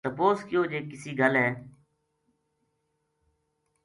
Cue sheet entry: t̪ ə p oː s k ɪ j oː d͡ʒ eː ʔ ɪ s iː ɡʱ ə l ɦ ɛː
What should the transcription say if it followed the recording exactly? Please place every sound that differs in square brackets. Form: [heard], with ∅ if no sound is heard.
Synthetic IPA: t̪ ə p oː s k ɪ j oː d͡ʒ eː [k] ɪ s iː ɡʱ ə l ɦ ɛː